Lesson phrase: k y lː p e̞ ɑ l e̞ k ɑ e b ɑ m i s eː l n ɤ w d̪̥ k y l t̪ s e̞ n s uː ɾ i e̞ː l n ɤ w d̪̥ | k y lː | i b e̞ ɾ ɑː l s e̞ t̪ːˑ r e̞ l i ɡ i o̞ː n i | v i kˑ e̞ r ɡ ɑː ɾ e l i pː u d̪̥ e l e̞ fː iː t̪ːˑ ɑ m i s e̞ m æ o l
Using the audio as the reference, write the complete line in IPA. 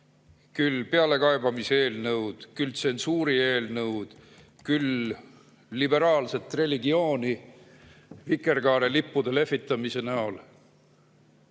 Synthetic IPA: k y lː p e̞ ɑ l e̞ k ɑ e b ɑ m i s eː l n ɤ w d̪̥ k y l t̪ s e̞ n s uː ɾ i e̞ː l n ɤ w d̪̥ | k y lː | i b e̞ ɾ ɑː l s e̞ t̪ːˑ r e̞ l i ɡ i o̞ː n i | v i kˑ e̞ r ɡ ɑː ɾ e l i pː u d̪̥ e l e̞ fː i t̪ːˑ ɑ m i s e̞ n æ o l